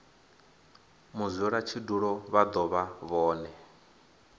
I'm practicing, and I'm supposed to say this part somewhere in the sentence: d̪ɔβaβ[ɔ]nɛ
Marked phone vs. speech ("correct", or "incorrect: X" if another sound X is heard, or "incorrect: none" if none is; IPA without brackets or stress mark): incorrect: ɔː